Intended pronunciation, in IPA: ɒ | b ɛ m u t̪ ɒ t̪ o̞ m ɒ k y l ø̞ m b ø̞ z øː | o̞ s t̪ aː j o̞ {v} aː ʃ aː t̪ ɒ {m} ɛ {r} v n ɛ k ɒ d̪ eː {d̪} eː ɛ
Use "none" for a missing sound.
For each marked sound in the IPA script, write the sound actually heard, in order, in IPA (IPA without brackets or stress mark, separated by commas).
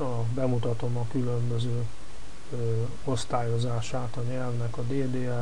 z, ɲ, l, d̪